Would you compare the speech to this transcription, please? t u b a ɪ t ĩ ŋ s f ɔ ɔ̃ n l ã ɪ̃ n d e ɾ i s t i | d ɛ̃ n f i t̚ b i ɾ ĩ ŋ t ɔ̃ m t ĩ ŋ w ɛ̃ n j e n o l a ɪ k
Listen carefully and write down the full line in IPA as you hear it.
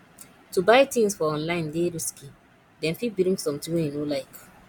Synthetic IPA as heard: t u b a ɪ t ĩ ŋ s f ɔ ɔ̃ n l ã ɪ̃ n d e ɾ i s k i | d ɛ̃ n f i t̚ b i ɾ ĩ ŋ s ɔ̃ m t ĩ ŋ w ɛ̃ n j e n o l a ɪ k